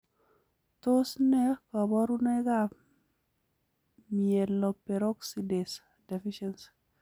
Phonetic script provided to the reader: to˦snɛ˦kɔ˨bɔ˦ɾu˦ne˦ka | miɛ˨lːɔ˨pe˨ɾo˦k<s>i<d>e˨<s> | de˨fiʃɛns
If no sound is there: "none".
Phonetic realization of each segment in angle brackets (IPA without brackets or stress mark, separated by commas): s, d, s